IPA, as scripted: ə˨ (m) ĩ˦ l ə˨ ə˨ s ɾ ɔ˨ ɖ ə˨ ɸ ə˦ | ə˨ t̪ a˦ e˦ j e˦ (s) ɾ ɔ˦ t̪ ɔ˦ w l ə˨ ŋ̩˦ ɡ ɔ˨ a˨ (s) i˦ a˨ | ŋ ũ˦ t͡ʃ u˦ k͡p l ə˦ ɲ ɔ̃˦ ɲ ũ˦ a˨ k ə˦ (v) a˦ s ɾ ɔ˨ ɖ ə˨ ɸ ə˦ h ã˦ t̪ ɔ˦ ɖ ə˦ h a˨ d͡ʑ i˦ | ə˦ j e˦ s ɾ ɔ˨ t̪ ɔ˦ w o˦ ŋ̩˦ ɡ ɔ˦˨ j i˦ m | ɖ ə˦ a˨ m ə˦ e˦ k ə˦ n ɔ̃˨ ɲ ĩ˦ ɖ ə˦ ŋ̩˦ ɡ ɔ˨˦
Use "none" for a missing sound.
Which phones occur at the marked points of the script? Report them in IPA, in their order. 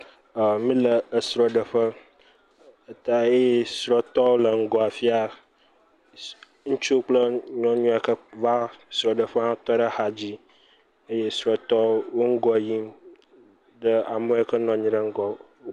m, s, f, v

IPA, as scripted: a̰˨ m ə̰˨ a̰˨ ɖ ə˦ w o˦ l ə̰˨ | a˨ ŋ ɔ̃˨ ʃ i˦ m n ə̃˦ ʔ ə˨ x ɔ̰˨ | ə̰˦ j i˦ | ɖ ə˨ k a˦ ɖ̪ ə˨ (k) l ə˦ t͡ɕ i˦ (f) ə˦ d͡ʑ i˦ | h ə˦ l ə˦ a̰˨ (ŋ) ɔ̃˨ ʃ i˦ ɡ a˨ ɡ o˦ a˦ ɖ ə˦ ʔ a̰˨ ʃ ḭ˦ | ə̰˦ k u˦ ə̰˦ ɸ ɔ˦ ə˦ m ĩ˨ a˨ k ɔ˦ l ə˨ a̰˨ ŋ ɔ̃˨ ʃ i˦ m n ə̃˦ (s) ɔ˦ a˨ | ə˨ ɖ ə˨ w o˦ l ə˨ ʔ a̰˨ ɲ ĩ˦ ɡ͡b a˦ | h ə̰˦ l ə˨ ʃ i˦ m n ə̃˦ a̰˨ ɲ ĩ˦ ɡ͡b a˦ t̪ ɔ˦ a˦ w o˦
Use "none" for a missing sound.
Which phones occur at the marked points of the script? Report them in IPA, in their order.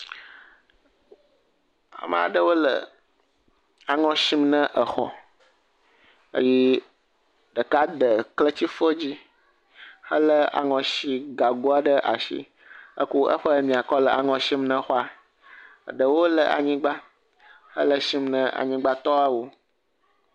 k, f, ŋ, x

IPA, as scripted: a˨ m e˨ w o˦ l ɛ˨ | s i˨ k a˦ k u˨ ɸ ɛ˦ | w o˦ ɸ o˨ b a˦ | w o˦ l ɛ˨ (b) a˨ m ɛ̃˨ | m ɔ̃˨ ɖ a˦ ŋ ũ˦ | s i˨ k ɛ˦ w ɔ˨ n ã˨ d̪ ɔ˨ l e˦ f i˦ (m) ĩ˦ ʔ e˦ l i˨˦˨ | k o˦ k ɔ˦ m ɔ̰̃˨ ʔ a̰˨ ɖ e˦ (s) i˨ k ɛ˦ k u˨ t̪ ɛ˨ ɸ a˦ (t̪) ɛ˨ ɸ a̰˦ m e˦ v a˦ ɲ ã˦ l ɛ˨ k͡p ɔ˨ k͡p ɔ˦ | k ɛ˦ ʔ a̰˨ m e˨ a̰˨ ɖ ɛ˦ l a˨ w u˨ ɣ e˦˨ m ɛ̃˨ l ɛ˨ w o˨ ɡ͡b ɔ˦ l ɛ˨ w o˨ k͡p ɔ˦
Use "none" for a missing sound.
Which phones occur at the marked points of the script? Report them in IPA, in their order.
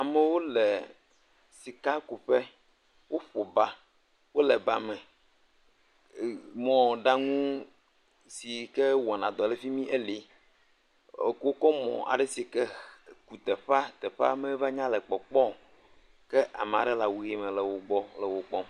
b, m, s, t̪

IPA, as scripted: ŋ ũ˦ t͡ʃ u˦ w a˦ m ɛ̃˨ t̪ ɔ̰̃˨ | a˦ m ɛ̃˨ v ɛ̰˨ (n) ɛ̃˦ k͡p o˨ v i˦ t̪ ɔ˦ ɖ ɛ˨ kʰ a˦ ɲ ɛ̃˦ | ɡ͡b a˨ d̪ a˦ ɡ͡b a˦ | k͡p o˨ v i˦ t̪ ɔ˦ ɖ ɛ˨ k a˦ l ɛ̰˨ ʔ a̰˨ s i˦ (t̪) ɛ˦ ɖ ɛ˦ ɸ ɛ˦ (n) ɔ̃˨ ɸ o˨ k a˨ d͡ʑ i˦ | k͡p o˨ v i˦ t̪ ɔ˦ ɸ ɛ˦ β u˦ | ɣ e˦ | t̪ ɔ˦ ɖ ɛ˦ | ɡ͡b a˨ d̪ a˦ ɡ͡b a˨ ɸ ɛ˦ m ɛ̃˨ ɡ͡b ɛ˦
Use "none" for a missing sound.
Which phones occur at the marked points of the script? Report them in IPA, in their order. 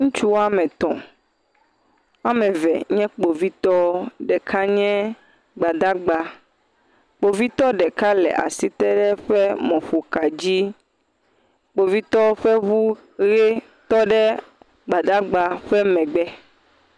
ɲ, t̪, m

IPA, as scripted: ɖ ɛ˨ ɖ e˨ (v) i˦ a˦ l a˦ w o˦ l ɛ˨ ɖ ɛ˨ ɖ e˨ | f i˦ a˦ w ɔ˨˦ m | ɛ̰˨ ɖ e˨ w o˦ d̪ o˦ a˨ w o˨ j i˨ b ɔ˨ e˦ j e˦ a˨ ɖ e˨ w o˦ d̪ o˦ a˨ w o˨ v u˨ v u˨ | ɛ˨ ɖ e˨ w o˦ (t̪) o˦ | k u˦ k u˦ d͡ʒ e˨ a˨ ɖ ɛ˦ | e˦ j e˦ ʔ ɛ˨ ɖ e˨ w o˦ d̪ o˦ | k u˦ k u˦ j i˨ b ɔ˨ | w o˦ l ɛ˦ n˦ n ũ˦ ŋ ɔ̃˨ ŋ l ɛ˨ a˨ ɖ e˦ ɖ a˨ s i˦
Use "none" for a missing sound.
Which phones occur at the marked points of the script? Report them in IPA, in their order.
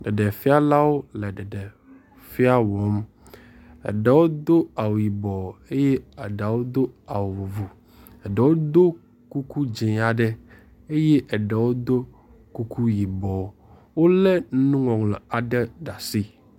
f, d̪

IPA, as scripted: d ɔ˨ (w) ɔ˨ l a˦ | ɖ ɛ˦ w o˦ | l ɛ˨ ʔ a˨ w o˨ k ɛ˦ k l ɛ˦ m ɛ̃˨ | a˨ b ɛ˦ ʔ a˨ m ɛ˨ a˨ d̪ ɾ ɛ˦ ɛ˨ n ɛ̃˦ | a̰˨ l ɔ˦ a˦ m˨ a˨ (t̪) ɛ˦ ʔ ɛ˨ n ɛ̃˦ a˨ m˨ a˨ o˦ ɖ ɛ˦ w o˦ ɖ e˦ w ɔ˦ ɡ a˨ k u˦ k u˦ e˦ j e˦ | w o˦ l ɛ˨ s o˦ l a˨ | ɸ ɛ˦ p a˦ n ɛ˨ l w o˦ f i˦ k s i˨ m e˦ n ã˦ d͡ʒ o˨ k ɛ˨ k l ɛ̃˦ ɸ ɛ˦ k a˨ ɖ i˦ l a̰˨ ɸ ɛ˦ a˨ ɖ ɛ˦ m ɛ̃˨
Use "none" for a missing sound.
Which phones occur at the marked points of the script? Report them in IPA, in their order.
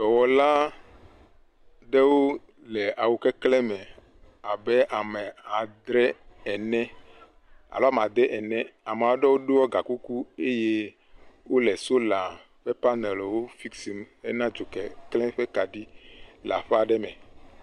w, d̪

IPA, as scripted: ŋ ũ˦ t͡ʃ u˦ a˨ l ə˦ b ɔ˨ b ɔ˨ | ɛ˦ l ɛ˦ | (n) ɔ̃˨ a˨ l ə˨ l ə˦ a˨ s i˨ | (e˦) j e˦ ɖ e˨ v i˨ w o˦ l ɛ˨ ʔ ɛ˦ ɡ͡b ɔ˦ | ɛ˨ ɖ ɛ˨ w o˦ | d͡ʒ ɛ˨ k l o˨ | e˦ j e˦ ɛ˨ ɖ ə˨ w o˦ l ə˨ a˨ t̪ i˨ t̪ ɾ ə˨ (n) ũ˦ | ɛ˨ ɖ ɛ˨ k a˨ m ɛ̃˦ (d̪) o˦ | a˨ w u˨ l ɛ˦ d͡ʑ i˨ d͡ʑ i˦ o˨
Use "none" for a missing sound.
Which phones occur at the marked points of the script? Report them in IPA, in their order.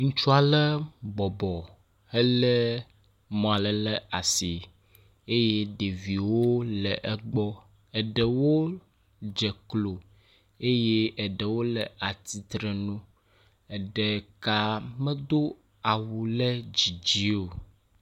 m, e˦, n, d̪

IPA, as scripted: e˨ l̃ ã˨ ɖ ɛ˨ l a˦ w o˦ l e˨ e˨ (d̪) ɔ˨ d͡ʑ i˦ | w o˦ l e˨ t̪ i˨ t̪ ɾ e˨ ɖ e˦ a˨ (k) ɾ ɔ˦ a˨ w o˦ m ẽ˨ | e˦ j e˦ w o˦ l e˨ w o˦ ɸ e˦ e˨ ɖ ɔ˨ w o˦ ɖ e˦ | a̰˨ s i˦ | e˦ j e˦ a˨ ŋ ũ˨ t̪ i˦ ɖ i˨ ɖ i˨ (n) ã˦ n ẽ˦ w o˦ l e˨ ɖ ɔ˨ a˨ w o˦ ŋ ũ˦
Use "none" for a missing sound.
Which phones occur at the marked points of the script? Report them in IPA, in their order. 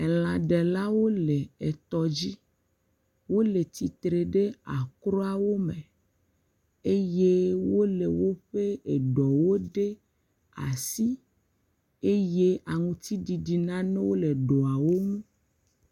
t̪, k, n

